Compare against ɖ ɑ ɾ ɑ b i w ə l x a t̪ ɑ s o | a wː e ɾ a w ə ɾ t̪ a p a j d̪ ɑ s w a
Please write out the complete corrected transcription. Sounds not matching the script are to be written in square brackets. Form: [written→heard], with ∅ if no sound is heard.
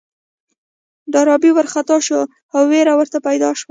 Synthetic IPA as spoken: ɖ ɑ ɾ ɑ b i w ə [l→ɾ] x a t̪ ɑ [s→ʃ] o | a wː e ɾ a w ə ɾ t̪ a p a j d̪ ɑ [s→ʃ] w a